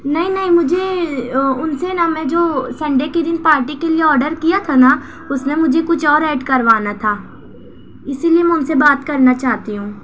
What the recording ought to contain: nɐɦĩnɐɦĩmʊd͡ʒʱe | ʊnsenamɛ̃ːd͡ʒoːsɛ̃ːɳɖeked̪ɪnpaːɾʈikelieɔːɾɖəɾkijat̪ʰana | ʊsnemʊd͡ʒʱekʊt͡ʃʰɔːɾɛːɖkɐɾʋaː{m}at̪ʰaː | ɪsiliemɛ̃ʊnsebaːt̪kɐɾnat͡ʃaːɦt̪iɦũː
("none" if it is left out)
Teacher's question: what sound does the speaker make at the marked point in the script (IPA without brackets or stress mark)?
n